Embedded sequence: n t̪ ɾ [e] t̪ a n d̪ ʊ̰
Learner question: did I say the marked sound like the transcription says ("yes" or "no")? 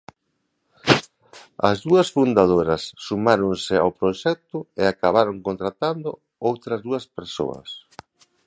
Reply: no